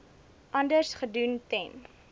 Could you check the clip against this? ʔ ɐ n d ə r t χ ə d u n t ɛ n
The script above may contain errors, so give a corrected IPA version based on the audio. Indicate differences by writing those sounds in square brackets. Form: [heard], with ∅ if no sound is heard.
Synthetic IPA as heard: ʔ ɐ n d ə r [s] χ ə d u n t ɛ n